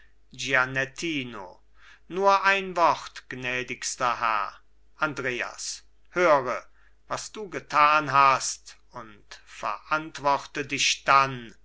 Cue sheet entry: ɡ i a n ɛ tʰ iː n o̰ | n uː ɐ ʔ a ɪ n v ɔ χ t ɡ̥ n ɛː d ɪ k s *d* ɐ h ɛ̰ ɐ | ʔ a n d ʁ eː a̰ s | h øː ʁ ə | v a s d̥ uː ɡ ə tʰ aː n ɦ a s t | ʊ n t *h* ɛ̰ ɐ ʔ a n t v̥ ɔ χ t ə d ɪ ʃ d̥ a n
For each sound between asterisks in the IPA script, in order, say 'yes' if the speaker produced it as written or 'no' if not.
no, no

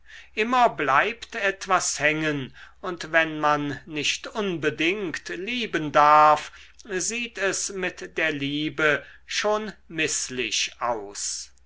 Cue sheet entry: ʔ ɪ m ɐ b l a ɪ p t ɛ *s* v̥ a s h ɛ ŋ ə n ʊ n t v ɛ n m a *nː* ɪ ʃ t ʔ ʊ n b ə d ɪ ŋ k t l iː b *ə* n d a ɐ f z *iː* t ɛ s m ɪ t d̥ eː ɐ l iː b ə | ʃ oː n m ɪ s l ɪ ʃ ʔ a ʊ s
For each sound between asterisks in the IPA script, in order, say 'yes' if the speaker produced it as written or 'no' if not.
no, yes, yes, yes

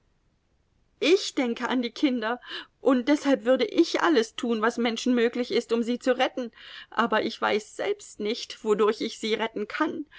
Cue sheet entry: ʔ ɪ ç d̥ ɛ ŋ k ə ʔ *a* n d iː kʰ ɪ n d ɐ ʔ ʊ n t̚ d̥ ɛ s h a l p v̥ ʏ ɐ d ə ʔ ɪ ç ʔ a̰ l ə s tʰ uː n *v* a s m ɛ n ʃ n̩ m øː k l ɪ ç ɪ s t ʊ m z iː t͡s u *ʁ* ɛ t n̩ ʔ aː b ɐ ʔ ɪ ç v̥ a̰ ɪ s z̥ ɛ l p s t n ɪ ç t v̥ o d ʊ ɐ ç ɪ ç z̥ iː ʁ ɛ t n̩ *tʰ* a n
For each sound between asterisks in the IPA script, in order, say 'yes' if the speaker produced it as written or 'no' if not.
yes, yes, yes, no

